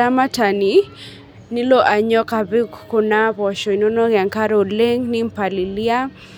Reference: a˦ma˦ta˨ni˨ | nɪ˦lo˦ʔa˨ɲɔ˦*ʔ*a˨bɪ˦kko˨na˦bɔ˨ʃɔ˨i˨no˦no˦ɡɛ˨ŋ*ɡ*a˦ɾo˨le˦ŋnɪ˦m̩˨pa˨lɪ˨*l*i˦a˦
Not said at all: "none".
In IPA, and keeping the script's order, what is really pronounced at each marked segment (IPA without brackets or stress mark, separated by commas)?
k, k, l